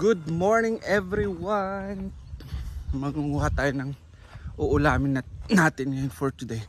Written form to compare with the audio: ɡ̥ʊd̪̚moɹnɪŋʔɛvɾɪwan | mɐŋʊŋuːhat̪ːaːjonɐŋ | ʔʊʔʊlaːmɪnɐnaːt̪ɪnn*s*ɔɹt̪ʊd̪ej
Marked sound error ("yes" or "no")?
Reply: yes